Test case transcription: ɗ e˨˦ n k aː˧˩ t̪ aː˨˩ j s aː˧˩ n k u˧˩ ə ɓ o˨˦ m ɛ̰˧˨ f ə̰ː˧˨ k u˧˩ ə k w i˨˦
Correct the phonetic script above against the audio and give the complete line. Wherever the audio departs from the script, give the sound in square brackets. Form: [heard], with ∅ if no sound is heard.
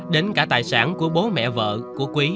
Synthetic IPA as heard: ɗ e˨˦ n k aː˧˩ t̪ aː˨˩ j s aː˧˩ n k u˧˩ ə ɓ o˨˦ m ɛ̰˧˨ [v] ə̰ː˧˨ k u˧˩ ə k w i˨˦

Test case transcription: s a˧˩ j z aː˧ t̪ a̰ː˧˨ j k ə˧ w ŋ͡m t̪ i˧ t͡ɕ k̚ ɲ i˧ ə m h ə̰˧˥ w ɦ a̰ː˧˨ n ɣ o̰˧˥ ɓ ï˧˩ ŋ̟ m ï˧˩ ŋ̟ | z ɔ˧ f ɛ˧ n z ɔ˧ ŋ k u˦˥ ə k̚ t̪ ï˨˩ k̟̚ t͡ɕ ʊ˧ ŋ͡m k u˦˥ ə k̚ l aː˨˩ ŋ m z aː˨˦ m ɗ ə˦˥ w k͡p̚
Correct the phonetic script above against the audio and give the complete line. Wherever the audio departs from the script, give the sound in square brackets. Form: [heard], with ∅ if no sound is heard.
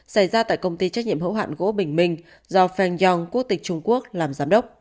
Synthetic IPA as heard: s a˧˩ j z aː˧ t̪ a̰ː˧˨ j k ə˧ w ŋ͡m t̪ i˧ t͡ɕ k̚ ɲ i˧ ə m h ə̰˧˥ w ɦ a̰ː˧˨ n ɣ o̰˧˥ ɓ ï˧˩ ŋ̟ m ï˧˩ ŋ̟ | z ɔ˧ f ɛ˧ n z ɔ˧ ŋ k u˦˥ ə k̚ t̪ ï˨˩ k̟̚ t͡ɕ ʊ˧ ŋ͡m k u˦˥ ə k̚ l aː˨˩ [∅] m z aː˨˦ m ɗ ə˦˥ w k͡p̚

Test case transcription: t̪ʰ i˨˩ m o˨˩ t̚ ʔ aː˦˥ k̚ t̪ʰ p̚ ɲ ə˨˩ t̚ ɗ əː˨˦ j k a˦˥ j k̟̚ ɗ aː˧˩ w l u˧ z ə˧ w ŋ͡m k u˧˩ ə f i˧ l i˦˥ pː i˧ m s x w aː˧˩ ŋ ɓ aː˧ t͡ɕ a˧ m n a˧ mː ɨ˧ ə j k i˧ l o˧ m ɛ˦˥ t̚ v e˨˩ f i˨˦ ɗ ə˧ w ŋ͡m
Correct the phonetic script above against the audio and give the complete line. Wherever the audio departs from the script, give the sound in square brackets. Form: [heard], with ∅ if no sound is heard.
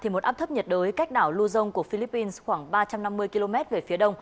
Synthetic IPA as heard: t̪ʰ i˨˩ m o˨˩ t̚ ʔ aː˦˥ [p̚] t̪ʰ p̚ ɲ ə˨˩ t̚ ɗ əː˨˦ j k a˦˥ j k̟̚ ɗ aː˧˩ w l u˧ z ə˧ w ŋ͡m k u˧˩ ə f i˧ l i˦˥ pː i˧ [n] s x w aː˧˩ ŋ ɓ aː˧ t͡ɕ a˧ m n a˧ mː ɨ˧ ə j k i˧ l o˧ m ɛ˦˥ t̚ v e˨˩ f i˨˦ ɗ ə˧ w ŋ͡m

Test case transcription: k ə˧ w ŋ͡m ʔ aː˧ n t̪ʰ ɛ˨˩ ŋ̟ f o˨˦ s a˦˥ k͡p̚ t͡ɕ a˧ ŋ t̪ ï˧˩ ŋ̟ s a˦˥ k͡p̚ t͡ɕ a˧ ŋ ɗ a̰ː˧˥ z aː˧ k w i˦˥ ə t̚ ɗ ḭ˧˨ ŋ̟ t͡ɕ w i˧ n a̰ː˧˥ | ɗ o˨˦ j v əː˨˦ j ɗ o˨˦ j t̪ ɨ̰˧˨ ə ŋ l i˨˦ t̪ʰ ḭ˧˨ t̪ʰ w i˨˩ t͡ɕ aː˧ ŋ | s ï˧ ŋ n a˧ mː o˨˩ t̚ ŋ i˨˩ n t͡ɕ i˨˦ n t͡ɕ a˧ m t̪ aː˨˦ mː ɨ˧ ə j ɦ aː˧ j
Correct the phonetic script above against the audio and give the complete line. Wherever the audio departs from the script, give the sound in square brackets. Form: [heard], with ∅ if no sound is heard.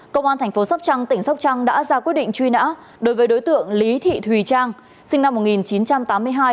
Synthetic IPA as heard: k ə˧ w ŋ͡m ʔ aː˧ n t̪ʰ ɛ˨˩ ŋ̟ f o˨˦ s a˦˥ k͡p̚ t͡ɕ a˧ ŋ t̪ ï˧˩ ŋ̟ s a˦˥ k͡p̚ t͡ɕ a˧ ŋ ɗ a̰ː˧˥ z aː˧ k w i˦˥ ə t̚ ɗ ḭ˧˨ ŋ̟ t͡ɕ w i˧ n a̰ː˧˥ | ɗ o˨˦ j v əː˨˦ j ɗ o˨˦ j t̪ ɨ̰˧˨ ə ŋ l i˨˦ t̪ʰ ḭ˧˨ t̪ʰ w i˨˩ t͡ɕ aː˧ ŋ | s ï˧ ŋ n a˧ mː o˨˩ t̚ ŋ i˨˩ n t͡ɕ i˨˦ n t͡ɕ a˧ m t̪ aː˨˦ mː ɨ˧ ə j ɦ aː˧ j

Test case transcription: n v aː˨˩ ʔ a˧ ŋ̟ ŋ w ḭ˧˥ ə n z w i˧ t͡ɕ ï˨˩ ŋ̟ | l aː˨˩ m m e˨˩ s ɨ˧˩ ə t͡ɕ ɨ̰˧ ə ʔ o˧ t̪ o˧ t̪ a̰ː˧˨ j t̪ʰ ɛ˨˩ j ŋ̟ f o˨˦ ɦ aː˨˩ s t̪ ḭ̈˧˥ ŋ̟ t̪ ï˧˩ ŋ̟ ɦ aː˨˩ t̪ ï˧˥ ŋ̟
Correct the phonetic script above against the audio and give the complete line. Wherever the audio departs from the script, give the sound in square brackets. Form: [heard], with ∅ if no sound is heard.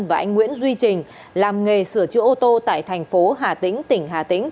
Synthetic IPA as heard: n v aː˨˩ ʔ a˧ ŋ̟ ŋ w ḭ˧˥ ə n z w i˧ t͡ɕ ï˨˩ ŋ̟ | l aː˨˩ m [ŋ] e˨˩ s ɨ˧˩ ə t͡ɕ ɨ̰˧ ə ʔ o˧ t̪ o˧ t̪ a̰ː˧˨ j t̪ʰ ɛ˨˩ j ŋ̟ f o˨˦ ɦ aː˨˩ [∅] t̪ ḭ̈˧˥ ŋ̟ t̪ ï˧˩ ŋ̟ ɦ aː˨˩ t̪ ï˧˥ ŋ̟

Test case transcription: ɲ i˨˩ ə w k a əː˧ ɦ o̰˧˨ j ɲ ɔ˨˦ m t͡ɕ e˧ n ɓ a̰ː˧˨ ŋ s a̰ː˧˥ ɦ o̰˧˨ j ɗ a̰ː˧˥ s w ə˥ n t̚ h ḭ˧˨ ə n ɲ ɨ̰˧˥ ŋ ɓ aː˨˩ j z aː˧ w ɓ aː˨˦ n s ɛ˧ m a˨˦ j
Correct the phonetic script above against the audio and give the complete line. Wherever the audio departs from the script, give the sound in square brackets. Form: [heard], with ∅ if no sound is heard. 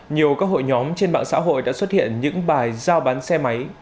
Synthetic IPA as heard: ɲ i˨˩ ə w k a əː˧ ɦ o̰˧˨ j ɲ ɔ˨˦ m t͡ɕ e˧ n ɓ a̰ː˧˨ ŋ s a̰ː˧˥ ɦ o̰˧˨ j ɗ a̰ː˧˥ s w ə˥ [∅] t̚ h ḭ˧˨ ə n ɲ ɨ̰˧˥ ŋ ɓ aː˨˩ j z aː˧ w ɓ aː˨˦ n s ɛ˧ m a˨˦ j

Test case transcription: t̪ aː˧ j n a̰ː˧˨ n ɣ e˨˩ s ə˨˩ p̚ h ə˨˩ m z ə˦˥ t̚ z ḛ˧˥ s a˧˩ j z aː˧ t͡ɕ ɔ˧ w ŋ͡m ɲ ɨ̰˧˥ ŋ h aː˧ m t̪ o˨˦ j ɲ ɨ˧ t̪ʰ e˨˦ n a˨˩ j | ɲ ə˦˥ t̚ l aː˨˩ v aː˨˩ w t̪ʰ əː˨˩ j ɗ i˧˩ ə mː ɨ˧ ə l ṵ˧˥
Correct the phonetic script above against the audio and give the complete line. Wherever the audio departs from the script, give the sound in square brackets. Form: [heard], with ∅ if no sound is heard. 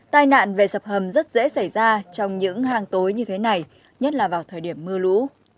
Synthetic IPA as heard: t̪ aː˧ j n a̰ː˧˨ n [v] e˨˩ s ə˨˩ p̚ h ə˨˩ m z ə˦˥ t̚ z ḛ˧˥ s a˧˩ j z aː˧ t͡ɕ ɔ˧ w ŋ͡m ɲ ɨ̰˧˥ ŋ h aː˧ [ŋ] t̪ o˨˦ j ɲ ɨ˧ t̪ʰ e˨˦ n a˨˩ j | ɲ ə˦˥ t̚ l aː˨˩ v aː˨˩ w t̪ʰ əː˨˩ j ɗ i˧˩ ə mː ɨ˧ ə l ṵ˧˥

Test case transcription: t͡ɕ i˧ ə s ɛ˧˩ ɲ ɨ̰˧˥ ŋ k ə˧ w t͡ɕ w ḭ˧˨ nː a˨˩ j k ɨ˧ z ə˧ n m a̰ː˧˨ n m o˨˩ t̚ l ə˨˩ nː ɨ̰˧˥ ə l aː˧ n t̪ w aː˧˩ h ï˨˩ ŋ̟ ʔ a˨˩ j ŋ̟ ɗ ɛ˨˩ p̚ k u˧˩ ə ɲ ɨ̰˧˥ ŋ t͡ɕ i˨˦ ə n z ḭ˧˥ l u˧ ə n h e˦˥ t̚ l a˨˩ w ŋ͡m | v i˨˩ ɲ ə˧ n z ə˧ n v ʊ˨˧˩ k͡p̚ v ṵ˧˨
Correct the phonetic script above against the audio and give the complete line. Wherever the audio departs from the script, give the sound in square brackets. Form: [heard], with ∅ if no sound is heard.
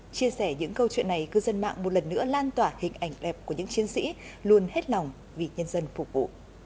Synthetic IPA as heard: t͡ɕ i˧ ə s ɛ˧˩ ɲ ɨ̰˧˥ ŋ k ə˧ w t͡ɕ w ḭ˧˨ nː a˨˩ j k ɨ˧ z ə˧ n m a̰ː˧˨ [ŋ] m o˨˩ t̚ l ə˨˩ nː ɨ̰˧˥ ə l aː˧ n t̪ w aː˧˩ h ï˨˩ ŋ̟ ʔ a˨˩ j ŋ̟ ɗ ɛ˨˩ p̚ k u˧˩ ə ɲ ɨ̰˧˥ ŋ t͡ɕ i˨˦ ə n [s] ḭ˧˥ l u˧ ə n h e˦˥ t̚ l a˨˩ w ŋ͡m | v i˨˩ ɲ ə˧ n z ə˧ n [f] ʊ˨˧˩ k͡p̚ v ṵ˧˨

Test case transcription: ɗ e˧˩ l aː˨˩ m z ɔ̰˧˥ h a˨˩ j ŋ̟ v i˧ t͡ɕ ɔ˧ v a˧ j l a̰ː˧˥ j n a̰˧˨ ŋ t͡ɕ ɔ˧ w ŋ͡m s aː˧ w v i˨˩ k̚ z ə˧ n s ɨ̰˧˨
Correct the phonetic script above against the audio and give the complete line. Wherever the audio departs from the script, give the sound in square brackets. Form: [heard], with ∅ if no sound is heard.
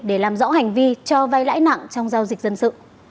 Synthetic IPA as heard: ɗ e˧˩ l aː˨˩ m z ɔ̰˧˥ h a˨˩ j ŋ̟ v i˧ t͡ɕ ɔ˧ v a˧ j l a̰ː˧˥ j n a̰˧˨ ŋ t͡ɕ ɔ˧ w ŋ͡m [z] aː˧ w [z] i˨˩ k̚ z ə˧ n s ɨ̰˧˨

